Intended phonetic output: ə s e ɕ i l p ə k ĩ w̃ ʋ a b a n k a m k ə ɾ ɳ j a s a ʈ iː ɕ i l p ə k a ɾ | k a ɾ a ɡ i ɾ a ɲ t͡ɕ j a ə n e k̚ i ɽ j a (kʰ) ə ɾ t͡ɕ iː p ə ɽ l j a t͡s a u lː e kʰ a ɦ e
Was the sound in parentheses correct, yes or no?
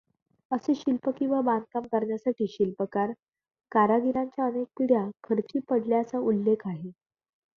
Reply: yes